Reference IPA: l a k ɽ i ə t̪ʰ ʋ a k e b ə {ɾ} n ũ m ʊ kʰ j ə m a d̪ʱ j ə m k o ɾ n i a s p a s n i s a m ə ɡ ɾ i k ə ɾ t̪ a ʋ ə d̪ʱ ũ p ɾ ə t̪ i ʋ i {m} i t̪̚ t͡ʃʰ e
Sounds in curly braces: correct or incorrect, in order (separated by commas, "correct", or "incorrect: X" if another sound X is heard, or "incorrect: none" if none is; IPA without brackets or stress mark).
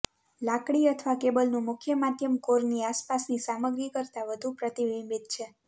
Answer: incorrect: l, correct